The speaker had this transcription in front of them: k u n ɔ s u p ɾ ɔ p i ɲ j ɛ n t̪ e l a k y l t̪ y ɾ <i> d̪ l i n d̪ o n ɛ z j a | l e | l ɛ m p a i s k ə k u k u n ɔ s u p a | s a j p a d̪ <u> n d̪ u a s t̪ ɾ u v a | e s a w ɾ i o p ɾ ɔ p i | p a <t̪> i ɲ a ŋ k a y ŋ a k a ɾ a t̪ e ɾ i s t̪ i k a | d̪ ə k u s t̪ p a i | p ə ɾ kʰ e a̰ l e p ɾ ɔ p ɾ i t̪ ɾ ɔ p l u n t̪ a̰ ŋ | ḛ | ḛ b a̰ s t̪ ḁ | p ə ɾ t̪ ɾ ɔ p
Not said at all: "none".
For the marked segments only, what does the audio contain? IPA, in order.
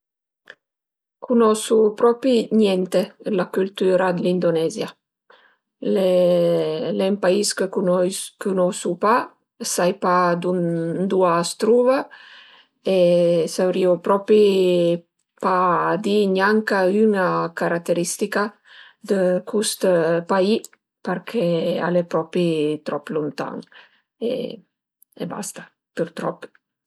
a, u, d̪

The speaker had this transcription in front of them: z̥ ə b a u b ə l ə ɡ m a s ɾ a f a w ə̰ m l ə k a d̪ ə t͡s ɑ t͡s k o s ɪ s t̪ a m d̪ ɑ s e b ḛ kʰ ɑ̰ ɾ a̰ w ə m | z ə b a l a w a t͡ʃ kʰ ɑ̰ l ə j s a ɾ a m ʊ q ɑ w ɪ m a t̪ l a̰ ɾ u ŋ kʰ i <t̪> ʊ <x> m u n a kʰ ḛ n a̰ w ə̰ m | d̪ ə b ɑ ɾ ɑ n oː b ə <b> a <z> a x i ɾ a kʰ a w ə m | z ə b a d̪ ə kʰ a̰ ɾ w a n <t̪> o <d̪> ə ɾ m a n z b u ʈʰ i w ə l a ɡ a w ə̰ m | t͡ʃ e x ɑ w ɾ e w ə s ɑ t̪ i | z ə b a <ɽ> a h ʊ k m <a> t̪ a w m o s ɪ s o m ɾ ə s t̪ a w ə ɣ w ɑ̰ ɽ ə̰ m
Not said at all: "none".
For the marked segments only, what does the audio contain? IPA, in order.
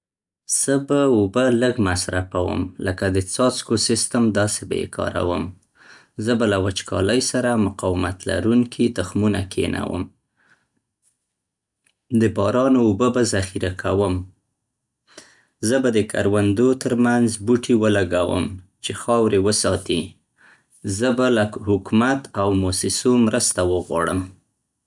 t̪, x, b, z, d̪, t̪, l, a

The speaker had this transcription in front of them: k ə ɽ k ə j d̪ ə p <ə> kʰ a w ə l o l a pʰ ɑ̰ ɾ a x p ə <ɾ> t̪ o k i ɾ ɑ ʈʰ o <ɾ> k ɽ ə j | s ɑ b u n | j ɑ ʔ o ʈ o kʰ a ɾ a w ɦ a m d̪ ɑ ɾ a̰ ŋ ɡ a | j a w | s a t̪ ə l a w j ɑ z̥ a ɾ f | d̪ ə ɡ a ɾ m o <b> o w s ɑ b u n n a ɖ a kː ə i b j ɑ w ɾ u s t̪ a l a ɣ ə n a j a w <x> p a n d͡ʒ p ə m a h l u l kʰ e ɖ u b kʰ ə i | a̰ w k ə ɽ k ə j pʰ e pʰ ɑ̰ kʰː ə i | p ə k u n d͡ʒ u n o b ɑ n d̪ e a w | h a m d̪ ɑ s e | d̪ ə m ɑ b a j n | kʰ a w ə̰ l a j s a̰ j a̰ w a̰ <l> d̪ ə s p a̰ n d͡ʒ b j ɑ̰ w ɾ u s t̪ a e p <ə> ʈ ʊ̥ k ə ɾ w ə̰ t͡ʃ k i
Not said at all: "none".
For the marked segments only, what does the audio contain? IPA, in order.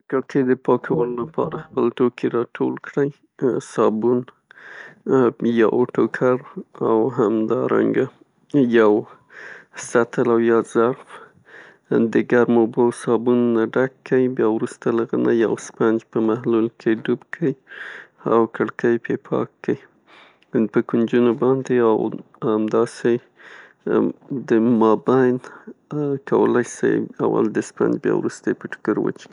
ɑ, l, l, b, s, l, ə

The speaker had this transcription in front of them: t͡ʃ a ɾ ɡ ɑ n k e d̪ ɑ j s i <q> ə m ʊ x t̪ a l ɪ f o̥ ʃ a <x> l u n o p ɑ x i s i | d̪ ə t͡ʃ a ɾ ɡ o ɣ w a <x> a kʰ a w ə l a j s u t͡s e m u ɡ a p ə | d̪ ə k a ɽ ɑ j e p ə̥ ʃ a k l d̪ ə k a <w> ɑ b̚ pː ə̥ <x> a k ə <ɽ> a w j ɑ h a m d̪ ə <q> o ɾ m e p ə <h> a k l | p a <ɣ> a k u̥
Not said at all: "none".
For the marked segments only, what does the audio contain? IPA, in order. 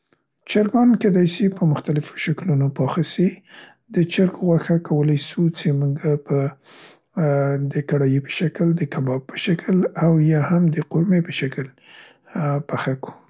p, k, x, b, ʃ, l, q, ʃ, x

